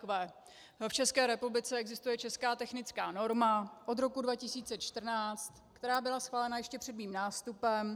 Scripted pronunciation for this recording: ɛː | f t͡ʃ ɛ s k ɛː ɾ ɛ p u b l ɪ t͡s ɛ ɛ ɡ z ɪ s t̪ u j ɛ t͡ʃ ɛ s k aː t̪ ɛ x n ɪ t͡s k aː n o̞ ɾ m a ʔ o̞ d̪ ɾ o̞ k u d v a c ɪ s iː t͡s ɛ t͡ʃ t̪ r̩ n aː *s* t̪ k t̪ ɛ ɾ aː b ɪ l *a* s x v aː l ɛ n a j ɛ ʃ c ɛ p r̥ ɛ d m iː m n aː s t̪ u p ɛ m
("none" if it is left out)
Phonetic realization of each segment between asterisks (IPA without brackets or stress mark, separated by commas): t͡s, a